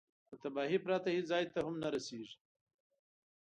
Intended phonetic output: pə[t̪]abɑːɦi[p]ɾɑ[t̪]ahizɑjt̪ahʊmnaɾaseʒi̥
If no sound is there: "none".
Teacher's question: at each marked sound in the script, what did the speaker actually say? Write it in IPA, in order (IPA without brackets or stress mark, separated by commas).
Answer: t̪, p, t̪